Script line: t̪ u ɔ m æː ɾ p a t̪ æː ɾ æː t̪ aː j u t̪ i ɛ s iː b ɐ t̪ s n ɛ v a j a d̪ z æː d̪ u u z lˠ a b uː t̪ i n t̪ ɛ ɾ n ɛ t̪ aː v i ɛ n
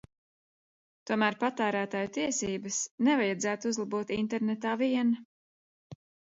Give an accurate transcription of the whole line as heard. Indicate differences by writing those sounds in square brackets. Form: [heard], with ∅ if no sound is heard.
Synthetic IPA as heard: t̪ u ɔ m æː ɾ p a t̪ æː ɾ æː t̪ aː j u t̪ i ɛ s iː b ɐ [∅] s n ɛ v a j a d̪ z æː [t̪] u u z lˠ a b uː t̪ i n t̪ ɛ ɾ n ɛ t̪ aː v i ɛ n